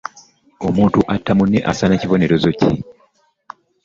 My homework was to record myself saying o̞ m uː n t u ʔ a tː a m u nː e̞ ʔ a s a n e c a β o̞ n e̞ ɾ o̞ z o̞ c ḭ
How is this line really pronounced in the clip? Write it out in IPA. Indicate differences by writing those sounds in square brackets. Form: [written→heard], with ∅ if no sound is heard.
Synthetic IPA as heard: o̞ m uː n t u ʔ a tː a m u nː e̞ ʔ a s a n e c [a→i] β o̞ n e̞ ɾ o̞ z o̞ c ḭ